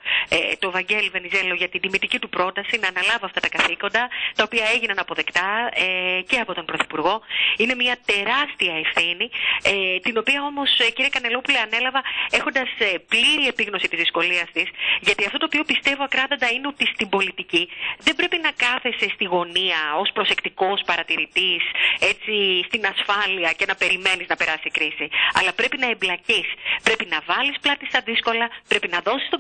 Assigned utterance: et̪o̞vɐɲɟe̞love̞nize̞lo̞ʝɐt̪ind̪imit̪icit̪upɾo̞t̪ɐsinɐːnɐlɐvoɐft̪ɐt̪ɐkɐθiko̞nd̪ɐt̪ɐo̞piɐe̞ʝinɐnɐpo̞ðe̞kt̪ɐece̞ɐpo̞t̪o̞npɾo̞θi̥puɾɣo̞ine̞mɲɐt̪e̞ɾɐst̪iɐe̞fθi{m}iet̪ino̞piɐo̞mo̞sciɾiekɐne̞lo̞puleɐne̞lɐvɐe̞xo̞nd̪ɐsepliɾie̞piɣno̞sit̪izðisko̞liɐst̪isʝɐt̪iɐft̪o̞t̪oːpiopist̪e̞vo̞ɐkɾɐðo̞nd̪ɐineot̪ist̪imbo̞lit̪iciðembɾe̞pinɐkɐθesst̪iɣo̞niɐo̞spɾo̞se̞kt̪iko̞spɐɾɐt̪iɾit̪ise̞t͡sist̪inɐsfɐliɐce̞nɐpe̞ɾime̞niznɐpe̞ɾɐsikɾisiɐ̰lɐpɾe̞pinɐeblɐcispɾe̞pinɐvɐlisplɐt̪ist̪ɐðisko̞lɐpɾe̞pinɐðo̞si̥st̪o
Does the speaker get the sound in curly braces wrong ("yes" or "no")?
yes